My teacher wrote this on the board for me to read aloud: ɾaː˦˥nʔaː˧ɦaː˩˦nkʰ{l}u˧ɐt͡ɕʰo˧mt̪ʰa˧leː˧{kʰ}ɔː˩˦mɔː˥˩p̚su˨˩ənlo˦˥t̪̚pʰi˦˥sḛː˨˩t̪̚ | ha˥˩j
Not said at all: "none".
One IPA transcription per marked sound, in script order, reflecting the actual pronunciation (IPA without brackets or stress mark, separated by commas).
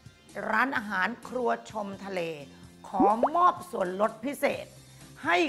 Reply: ɾ, kʰ